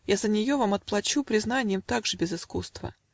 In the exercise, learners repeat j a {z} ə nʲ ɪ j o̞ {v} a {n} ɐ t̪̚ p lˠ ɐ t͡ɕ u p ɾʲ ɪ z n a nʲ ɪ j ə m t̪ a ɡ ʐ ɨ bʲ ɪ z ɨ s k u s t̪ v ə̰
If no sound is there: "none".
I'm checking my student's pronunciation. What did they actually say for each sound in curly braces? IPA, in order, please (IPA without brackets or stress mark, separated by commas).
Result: z, v, m